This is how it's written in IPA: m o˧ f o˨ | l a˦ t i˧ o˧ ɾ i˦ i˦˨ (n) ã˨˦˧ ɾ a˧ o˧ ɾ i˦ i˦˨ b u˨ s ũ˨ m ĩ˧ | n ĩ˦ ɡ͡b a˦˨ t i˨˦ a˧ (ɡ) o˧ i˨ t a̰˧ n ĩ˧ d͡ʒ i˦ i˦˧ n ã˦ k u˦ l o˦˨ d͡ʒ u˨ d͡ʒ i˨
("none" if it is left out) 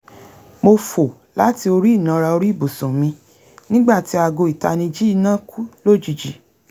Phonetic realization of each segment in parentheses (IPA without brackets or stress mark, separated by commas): n, ɡ